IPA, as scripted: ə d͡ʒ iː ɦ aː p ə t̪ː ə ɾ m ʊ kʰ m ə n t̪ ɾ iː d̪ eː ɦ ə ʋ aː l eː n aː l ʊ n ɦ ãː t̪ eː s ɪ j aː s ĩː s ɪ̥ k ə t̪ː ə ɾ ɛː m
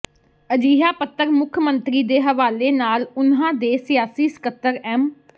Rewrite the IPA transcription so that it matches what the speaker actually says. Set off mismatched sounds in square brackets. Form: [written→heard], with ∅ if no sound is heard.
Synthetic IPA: ə d͡ʒ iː ɦ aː p ə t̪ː ə ɾ m ʊ kʰ m ə n t̪ ɾ iː d̪ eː ɦ ə ʋ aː l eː n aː l ʊ n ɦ ãː [t̪→d̪] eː s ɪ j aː s [ĩː→iː] s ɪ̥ k ə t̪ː ə ɾ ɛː m